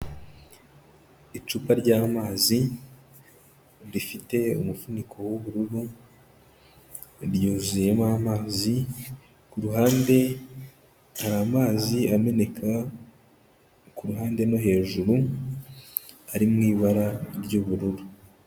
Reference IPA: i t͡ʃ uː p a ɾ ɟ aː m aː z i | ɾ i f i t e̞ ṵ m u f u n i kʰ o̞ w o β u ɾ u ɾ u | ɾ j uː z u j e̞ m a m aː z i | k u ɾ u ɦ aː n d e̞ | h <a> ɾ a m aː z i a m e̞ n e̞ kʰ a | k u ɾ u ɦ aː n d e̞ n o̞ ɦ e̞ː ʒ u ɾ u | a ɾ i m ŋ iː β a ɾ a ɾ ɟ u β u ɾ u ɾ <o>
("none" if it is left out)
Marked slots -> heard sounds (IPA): a, u

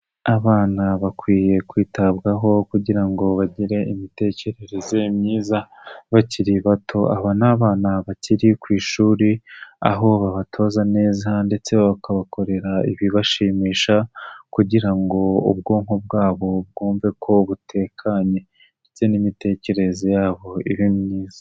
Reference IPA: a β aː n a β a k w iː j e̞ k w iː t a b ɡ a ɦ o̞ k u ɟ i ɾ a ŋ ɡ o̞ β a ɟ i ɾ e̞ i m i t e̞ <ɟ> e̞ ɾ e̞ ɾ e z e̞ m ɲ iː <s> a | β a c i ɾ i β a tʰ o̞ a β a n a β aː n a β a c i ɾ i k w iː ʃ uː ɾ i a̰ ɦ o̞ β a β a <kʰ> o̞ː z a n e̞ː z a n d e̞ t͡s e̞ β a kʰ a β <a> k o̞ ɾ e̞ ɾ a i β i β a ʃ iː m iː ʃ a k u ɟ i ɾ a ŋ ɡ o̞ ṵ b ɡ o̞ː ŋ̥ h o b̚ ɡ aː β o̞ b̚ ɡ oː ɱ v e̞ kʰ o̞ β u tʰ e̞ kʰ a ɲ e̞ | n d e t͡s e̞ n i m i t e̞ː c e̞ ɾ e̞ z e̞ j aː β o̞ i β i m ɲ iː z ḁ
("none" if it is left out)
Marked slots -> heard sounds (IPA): c, z, tʰ, a

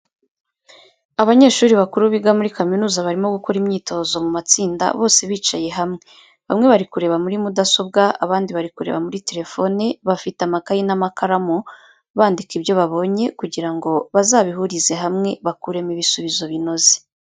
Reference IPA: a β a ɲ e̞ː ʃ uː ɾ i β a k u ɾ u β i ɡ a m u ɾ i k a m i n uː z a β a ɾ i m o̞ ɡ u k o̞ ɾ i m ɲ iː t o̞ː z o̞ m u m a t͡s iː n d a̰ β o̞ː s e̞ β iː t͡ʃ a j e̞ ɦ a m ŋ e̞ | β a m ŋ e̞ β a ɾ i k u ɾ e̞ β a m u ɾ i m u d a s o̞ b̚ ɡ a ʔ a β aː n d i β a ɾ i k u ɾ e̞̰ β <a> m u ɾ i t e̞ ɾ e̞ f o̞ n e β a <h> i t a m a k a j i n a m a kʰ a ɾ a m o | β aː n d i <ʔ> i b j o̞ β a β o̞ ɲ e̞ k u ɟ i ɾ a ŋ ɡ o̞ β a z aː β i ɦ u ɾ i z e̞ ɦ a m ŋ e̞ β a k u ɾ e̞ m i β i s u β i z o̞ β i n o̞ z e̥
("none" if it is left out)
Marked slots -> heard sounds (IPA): a, f, k

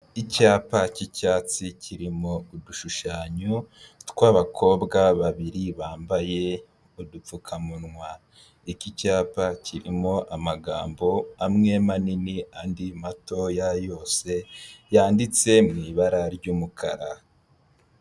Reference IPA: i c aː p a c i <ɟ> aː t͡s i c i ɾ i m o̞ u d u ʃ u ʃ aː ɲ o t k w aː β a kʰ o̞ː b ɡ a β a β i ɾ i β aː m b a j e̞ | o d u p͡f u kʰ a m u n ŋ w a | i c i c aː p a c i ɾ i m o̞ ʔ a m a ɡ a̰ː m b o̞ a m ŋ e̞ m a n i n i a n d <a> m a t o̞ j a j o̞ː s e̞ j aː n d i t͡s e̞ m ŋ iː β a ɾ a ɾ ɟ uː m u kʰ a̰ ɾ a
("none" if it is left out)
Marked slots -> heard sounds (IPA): c, i

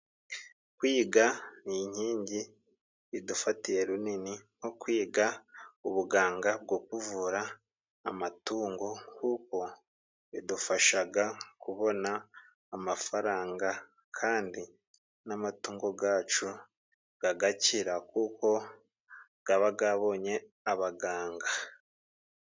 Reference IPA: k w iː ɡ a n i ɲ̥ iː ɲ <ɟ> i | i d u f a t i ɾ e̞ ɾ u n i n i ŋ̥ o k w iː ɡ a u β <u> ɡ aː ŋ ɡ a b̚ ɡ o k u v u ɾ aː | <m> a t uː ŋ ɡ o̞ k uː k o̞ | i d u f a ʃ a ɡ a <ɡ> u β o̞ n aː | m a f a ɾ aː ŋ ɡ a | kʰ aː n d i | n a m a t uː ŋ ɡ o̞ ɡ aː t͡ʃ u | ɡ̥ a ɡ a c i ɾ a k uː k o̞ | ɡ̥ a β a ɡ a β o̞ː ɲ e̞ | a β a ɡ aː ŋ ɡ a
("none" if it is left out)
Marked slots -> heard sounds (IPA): ɟ, u, m, k

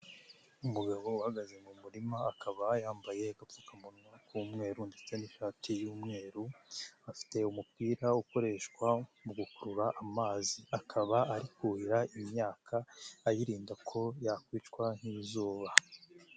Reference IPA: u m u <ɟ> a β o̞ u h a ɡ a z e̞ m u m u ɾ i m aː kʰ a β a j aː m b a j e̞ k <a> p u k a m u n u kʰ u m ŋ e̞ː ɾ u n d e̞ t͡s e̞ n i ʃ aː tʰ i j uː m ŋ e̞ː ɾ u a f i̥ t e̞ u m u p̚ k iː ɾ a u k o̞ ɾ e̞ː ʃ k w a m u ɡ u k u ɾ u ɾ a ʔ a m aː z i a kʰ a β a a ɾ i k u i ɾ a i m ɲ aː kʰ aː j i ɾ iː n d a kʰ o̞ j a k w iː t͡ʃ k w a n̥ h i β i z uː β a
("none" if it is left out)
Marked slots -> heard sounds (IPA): ɡ, a

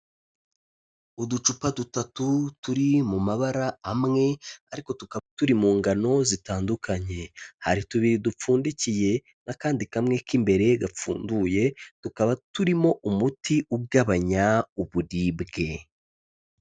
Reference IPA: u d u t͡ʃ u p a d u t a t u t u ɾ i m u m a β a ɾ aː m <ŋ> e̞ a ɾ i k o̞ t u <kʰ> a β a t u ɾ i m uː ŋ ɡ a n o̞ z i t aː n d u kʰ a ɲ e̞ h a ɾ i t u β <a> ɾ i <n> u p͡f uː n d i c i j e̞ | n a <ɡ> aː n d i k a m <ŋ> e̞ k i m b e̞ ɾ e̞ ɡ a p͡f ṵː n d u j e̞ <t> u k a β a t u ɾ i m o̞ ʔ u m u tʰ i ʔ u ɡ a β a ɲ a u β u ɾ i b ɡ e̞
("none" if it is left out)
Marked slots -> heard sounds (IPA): ŋ, k, i, d, k, ŋ, t

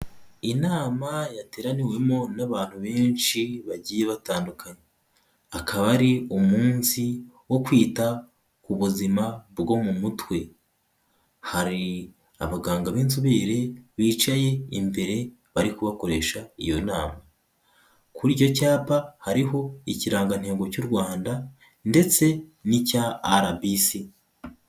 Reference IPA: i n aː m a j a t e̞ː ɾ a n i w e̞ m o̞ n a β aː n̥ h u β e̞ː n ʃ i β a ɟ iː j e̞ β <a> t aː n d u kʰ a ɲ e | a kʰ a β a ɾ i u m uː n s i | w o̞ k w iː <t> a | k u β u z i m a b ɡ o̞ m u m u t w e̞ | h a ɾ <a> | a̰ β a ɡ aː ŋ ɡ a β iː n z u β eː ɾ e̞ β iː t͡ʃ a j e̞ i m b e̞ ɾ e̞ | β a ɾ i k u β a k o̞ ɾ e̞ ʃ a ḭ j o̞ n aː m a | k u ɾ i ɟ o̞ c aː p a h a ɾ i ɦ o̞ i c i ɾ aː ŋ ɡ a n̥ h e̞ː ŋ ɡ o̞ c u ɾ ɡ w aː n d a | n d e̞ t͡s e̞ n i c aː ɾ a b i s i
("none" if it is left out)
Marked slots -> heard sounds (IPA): a, t, i

